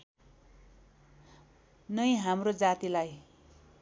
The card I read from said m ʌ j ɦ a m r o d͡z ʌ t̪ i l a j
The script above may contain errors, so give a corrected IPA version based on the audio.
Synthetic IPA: n ʌ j ɦ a m r o d͡z a t̪ i l a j